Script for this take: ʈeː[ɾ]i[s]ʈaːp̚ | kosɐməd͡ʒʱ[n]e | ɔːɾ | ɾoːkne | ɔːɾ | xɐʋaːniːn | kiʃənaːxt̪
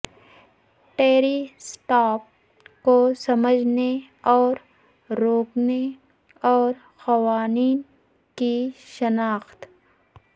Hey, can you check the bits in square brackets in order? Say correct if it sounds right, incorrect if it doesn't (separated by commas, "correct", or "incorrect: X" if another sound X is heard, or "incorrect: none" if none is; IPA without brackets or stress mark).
correct, correct, correct